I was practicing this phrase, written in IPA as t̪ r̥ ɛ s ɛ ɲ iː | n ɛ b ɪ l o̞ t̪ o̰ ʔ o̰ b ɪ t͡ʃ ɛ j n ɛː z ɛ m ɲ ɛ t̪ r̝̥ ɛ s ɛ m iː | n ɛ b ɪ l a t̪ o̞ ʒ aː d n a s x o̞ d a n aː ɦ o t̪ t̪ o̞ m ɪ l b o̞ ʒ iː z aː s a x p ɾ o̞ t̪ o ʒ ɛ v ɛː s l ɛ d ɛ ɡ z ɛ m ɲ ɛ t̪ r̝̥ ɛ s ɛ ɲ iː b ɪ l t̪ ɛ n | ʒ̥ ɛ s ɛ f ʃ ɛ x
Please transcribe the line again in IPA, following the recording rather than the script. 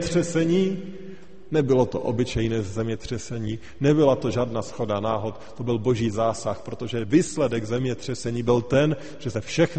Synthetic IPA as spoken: t̪ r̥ ɛ s ɛ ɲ iː | n ɛ b ɪ l o̞ t̪ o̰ ʔ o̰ b ɪ t͡ʃ ɛ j n ɛː z ɛ m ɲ ɛ t̪ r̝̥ ɛ s ɛ ɲ iː | n ɛ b ɪ l a t̪ o̞ ʒ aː d n a s x o̞ d a n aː ɦ o t̪ t̪ o̞ b ɪ l b o̞ ʒ iː z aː s a x p ɾ o̞ t̪ o ʒ ɛ v iː s l ɛ d ɛ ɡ z ɛ m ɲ ɛ t̪ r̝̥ ɛ s ɛ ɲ iː b ɪ l t̪ ɛ n | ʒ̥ ɛ s ɛ f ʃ ɛ x